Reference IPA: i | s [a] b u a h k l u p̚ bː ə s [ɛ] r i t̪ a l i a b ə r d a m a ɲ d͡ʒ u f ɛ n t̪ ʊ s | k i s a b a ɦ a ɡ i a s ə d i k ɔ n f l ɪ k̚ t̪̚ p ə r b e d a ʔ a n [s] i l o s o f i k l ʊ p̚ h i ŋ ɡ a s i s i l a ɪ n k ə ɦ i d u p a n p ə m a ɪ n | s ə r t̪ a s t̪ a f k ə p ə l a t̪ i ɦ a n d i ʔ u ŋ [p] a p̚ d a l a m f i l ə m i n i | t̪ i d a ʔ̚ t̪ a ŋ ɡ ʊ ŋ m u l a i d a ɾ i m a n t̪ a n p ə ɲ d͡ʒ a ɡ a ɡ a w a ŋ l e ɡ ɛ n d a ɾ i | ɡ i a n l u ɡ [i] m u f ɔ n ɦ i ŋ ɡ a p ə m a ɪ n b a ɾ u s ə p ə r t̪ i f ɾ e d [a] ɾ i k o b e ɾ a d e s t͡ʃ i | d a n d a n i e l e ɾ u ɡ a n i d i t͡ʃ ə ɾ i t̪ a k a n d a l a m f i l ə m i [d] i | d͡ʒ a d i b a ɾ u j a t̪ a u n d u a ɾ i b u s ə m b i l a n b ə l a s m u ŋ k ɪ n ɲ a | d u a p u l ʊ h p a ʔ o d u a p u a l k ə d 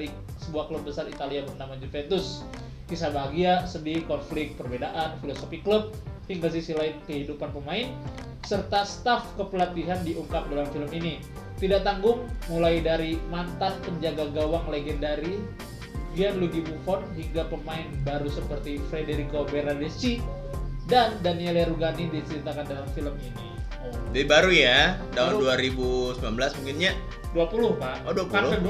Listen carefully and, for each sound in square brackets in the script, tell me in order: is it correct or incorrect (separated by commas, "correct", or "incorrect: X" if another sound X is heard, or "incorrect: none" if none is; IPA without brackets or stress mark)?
incorrect: ə, incorrect: a, incorrect: f, incorrect: k, correct, incorrect: e, incorrect: n